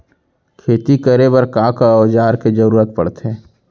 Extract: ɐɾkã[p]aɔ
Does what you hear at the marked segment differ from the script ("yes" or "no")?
yes